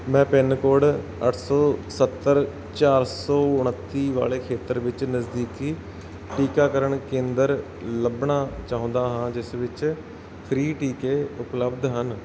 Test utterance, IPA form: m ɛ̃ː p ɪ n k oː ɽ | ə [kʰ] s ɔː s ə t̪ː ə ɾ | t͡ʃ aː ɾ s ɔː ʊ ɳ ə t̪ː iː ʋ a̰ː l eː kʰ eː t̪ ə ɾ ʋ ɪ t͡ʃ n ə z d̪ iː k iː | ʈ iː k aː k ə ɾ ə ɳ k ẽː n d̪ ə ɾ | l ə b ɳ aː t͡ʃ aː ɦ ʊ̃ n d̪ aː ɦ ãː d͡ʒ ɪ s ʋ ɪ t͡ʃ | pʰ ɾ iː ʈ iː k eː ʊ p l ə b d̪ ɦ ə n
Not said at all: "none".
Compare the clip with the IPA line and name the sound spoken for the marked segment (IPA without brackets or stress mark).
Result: ʈʰ